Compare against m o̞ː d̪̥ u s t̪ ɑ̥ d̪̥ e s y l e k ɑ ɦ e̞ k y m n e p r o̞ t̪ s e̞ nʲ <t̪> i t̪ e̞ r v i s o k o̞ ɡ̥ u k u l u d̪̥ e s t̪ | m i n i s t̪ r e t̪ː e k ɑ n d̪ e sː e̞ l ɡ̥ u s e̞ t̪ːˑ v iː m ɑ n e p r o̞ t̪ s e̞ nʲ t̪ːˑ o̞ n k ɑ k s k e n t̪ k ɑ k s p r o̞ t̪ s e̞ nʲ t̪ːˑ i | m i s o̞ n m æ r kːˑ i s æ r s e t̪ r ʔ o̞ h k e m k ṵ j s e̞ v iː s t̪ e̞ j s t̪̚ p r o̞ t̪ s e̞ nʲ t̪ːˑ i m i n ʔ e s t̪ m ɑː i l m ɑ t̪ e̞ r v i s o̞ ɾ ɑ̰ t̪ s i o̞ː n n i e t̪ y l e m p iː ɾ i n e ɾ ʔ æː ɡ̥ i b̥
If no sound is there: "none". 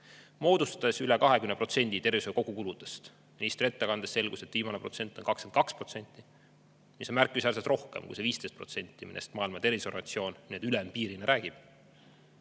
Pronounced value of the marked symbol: d̪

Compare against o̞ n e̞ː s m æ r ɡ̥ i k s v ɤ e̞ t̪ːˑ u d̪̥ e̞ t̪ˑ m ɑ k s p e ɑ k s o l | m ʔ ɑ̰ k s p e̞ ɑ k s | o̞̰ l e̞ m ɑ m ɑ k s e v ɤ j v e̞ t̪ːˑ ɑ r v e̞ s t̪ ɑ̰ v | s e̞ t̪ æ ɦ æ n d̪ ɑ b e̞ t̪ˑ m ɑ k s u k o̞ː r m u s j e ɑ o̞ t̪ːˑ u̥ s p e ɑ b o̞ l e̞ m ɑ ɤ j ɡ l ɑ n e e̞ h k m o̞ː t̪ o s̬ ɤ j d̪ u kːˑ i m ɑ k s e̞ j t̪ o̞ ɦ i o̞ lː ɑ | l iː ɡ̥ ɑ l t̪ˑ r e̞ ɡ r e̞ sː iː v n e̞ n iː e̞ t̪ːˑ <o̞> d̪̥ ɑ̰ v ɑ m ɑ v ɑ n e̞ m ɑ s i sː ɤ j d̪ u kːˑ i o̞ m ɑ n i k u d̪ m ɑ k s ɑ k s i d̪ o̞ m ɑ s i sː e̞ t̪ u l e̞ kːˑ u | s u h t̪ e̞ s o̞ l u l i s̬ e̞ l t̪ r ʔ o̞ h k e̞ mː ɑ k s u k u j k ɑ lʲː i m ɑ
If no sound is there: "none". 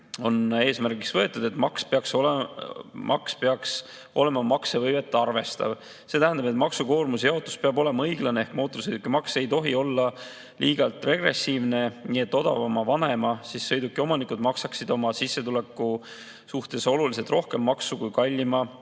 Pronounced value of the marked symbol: o̞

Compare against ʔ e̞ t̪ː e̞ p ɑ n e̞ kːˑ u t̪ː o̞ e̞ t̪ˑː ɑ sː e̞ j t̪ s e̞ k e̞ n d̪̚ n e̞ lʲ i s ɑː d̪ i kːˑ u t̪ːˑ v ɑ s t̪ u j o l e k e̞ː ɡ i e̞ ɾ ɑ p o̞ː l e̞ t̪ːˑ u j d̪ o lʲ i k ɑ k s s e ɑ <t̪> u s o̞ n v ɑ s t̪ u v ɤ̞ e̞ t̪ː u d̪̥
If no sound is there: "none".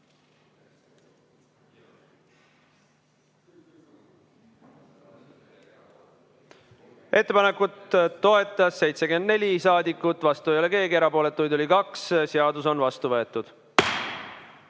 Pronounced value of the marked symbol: d̪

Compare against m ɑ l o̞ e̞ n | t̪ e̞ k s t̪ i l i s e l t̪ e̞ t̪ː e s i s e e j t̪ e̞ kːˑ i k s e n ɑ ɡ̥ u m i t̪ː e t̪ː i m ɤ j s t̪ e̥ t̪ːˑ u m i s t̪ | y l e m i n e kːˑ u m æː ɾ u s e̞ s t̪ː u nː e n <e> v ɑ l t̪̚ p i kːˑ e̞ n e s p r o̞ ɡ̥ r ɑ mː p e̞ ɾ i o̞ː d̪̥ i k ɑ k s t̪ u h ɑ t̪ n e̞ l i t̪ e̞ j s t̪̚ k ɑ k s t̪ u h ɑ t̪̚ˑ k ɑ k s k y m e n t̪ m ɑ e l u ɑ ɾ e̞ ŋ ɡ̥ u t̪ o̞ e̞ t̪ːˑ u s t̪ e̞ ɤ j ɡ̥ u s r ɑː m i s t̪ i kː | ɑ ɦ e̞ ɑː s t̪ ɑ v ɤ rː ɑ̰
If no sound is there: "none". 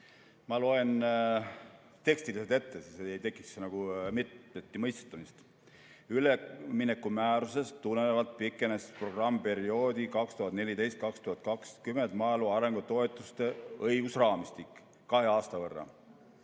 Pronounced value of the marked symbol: e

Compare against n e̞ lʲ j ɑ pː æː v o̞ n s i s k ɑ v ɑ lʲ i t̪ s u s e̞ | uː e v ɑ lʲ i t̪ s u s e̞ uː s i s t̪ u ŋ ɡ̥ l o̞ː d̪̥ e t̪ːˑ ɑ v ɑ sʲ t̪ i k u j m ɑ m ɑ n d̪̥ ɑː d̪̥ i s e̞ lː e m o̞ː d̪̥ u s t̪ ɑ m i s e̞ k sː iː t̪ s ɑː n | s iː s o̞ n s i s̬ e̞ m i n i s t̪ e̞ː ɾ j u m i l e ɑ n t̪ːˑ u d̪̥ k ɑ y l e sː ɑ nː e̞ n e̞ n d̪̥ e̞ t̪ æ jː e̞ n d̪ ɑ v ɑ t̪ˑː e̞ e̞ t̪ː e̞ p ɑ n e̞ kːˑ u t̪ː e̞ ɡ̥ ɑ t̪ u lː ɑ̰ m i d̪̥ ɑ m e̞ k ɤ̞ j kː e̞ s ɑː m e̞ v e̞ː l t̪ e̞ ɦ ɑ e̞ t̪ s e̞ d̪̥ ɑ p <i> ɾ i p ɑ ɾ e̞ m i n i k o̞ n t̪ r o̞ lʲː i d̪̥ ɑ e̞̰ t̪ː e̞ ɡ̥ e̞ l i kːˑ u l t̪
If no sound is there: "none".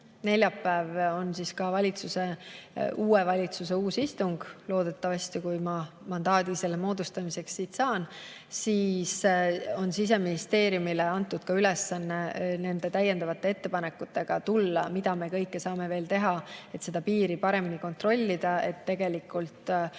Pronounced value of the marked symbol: iː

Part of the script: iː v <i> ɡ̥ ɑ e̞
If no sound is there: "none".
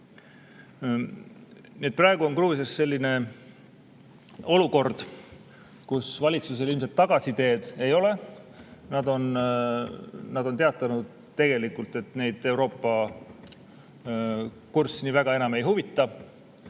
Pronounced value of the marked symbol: æ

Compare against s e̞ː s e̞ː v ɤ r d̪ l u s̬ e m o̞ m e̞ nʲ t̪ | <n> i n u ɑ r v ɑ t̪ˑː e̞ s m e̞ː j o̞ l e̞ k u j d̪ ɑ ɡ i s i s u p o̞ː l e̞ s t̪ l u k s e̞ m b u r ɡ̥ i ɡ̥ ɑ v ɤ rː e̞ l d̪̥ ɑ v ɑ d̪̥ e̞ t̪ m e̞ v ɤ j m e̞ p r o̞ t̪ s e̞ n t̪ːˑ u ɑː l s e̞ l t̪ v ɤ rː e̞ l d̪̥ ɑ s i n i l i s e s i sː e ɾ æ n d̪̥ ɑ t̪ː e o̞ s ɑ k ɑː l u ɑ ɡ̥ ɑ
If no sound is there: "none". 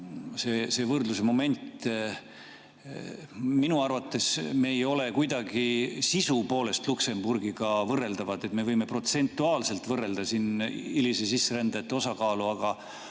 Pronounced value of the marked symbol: m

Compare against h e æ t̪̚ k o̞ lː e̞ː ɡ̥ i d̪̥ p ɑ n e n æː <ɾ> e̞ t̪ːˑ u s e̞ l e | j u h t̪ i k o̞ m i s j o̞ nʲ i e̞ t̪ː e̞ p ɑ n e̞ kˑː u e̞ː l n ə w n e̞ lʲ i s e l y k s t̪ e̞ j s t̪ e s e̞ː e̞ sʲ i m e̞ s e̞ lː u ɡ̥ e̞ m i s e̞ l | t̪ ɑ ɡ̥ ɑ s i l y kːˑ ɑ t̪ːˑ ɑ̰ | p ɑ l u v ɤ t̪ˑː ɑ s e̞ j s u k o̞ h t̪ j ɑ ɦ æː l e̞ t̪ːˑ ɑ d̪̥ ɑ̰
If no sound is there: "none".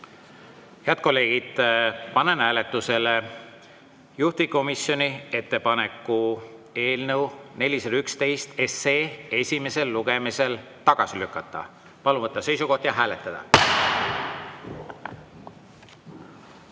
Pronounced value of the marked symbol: l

